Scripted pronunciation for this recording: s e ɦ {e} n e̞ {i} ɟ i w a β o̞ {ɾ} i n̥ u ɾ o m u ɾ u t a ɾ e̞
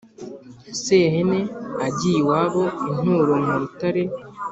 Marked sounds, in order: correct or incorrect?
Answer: correct, incorrect: a, incorrect: none

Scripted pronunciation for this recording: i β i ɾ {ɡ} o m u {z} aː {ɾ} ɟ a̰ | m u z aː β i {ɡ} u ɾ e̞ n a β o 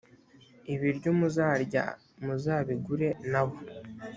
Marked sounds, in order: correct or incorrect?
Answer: incorrect: ɟ, correct, correct, correct

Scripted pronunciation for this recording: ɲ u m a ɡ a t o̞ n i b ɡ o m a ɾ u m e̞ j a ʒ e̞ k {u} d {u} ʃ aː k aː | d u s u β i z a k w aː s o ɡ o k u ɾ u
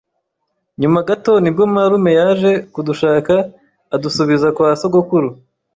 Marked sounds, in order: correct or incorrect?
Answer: correct, correct

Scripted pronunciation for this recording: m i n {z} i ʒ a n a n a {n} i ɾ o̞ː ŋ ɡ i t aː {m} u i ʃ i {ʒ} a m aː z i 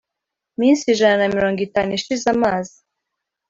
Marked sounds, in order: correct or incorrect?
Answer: incorrect: s, incorrect: m, incorrect: n, incorrect: z

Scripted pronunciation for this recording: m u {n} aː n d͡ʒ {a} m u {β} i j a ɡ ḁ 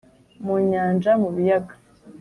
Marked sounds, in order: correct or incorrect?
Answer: incorrect: ɲ, correct, correct

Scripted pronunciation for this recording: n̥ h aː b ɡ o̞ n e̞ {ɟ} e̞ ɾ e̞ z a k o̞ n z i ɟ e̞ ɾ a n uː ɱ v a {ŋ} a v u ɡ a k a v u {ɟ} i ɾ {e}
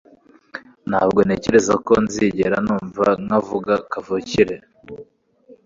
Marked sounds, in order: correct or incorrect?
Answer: incorrect: c, correct, incorrect: c, correct

